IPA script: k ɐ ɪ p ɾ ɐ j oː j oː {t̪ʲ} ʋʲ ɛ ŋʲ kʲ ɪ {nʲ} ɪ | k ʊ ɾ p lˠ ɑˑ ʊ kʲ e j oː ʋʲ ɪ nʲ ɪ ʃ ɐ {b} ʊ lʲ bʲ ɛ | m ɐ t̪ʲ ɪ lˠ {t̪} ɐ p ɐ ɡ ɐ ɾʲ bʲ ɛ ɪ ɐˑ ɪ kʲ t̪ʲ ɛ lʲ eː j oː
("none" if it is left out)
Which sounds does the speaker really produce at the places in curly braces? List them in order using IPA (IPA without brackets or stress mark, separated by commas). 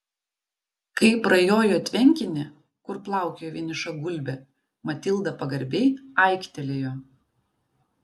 t̪ʲ, nʲ, ɡ, d̪